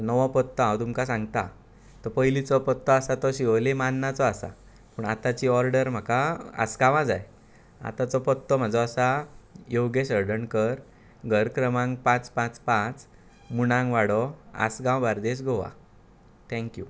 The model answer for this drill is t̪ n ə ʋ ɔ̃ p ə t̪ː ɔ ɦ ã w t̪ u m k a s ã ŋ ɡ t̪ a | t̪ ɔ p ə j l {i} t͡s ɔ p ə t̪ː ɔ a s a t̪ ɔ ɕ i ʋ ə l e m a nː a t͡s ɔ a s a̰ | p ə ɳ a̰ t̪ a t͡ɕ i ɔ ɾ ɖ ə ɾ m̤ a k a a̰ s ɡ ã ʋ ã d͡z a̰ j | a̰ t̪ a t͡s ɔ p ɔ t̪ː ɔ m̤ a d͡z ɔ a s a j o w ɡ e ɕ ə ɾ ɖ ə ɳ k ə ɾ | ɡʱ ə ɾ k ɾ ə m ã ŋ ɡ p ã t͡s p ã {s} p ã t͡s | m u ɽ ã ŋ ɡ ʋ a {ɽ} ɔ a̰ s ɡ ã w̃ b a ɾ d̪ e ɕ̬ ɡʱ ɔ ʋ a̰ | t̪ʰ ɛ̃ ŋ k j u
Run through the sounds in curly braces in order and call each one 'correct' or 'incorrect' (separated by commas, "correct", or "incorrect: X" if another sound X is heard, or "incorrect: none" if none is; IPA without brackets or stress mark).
correct, incorrect: t͡s, correct